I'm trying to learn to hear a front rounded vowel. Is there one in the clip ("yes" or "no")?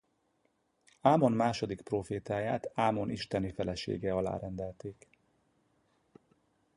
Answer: no